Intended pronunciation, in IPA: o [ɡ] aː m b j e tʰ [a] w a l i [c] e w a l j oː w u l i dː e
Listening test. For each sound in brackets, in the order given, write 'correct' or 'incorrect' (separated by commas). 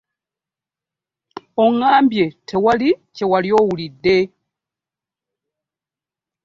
incorrect, incorrect, correct